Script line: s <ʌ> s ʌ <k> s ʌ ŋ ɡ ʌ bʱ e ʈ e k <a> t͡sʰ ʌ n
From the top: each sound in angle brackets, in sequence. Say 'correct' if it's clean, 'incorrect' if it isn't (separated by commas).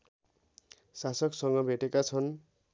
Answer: incorrect, correct, correct